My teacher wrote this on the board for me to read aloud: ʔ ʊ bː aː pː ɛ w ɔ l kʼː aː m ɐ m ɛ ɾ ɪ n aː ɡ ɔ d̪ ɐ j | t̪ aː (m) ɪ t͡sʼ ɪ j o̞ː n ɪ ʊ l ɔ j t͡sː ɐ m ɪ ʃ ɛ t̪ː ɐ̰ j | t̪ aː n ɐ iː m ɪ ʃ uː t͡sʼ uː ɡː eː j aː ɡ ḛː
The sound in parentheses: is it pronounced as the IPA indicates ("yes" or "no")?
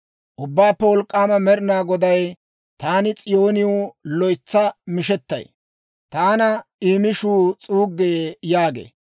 no